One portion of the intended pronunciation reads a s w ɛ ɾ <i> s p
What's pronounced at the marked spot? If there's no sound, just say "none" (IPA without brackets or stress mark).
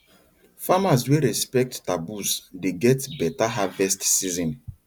ɛ